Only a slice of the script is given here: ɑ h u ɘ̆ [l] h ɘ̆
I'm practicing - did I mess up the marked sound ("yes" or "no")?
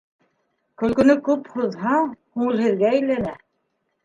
no